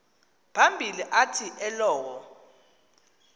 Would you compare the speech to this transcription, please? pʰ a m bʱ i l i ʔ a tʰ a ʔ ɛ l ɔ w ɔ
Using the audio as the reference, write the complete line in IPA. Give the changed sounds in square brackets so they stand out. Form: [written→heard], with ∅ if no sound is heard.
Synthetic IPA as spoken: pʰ a m bʱ i l i ʔ a tʰ [a→i] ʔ ɛ l [ɔ→ɔː] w ɔ

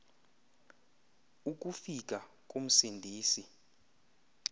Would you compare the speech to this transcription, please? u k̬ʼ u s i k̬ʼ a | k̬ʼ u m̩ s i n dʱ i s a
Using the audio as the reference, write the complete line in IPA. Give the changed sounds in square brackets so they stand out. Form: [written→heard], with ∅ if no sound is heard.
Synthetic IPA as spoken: u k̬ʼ u [s→f] i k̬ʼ a | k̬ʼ u m̩ s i n dʱ [i→iː] s [a→i]

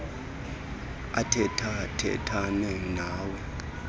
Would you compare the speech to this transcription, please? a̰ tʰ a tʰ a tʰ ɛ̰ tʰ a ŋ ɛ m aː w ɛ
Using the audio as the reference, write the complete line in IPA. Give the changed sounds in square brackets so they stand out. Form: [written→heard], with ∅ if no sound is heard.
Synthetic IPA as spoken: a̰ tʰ [a→ɛ] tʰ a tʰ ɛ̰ tʰ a [ŋ→n] ɛ [m→n] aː w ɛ

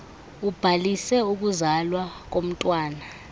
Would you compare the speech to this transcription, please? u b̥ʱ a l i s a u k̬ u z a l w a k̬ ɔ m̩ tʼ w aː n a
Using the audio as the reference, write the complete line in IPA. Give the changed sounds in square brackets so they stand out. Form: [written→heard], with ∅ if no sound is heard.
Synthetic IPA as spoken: u b̥ʱ a l i s [a→ɛ] u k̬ u z a l w a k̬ [ɔ→o] m̩ tʼ w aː n a

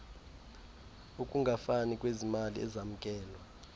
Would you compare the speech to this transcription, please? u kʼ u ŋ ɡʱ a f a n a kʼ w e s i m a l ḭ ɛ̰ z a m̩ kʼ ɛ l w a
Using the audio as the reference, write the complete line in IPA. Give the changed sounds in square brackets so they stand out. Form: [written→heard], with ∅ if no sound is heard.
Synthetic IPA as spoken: u kʼ u ŋ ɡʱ a f a n [a→i] kʼ w e [s→z] i m a l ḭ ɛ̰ z a m̩ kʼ [ɛ→ɛː] l w a

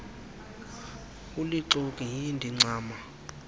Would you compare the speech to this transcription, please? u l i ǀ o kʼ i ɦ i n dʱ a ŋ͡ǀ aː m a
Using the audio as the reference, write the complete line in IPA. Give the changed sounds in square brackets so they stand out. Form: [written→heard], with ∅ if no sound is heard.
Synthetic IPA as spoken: u l i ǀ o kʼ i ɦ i n dʱ [a→i] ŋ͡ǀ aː m a

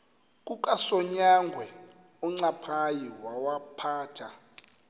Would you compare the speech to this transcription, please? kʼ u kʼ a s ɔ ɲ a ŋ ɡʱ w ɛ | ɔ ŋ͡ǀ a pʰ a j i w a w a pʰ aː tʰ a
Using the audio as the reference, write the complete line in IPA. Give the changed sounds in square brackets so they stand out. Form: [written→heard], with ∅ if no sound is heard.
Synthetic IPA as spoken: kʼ u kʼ a s ɔ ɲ a ŋ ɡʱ w ɛ | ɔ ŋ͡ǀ a pʰ a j i w a w a pʰ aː tʰ a

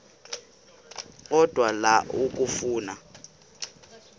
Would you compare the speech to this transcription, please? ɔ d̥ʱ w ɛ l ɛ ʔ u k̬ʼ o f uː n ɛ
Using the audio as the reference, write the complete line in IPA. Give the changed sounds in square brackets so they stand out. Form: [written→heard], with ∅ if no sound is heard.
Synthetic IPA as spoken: ɔ d̥ʱ w [ɛ→a] l [ɛ→a] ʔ u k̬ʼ [o→u] f uː n [ɛ→a]

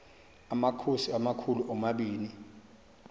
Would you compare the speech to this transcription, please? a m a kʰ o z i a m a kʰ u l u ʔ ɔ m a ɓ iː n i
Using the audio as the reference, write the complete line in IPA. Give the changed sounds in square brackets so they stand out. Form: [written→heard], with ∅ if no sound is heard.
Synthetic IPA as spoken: a m a kʰ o [z→s] i a m a kʰ u l u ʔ ɔ m a ɓ iː n i

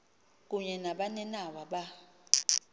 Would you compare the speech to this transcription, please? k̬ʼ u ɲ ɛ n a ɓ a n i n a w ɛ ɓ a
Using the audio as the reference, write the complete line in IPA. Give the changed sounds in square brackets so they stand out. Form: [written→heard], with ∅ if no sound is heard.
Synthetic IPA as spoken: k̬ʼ u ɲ ɛ n a ɓ a n [i→ɛ] n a w [ɛ→a] ɓ a

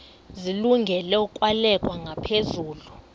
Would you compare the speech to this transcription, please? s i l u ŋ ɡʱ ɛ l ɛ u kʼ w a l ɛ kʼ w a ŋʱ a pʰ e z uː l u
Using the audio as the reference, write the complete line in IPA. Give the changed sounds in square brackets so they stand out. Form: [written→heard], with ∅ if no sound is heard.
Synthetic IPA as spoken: [s→z] i l u ŋ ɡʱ ɛ l ɛ u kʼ w a l ɛ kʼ w a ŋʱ a pʰ e z uː l u

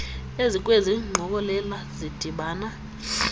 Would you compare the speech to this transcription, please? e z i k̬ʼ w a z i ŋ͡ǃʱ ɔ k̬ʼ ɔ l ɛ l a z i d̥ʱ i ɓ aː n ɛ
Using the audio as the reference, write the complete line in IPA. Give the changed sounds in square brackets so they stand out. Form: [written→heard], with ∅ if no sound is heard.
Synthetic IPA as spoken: e z i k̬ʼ w [a→e] z i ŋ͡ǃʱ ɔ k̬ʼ ɔ l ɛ l a z i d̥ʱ i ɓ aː n [ɛ→a]

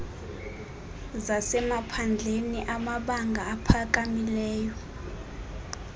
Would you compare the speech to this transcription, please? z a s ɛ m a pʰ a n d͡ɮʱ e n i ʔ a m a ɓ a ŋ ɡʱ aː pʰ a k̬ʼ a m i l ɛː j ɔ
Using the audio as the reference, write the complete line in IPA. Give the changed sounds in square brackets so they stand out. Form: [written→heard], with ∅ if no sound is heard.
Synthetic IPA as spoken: z a s ɛ m a pʰ a n d͡ɮʱ e n i ʔ a m a ɓ a ŋ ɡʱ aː pʰ a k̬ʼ a m i l ɛː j ɔ

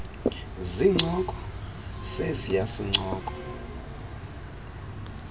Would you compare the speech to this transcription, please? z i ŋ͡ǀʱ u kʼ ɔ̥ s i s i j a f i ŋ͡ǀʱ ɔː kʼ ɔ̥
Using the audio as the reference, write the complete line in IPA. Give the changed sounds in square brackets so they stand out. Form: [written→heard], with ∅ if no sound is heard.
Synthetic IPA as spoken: z i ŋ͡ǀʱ [u→ɔ] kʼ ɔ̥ s [i→e] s i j a [f→s] i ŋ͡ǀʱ ɔː kʼ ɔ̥

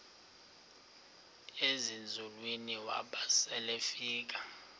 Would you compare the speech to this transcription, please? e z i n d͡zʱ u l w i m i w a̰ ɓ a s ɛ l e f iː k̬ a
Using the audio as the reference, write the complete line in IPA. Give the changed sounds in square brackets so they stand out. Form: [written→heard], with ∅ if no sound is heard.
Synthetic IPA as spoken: e z i n d͡zʱ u l w i [m→n] i w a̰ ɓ a s ɛ l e f iː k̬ a

